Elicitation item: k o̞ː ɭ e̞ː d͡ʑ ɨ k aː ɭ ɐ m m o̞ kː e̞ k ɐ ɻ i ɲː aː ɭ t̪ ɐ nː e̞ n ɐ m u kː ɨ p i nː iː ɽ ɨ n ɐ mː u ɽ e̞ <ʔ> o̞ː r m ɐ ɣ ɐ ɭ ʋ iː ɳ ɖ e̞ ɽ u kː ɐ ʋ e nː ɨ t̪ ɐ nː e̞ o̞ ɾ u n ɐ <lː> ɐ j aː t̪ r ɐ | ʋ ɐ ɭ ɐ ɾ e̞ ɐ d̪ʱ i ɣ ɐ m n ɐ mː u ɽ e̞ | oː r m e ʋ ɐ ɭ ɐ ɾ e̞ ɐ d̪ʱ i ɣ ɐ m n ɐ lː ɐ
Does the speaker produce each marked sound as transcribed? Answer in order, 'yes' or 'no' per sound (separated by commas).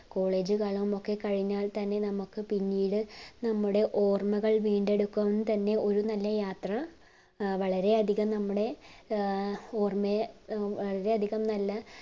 yes, yes